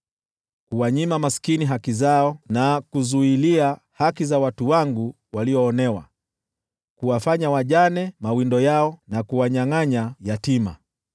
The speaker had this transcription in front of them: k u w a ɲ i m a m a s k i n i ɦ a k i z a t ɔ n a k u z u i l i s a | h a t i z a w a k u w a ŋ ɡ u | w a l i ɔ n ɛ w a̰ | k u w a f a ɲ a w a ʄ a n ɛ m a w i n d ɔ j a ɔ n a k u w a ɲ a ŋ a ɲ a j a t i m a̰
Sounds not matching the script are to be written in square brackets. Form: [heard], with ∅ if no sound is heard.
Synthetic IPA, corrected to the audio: k u w a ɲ i m a m a s k i n i ɦ a k i z a [∅] ɔ n a k u z u i l i [∅] a | h a [k] i z a w a [t] u w a ŋ ɡ u | w a l i [ɔː] n ɛ w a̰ | k u w a f a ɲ a w a ʄ a n ɛ m a w i n d ɔ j a ɔ n a k u w a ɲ a ŋ a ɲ a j a t i m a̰